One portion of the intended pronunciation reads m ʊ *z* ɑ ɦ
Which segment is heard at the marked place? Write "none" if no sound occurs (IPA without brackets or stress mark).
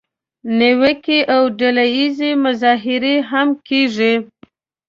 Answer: z